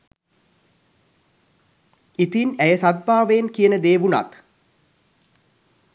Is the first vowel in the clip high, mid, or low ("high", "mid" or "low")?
high